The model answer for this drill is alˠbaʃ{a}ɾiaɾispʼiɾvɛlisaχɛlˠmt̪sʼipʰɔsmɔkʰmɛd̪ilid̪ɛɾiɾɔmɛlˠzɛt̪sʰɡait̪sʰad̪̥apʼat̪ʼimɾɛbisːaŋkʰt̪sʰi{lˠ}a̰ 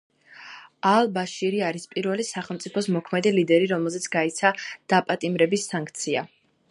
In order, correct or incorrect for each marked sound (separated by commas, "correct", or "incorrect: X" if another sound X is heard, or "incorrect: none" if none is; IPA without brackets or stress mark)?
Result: incorrect: i, incorrect: none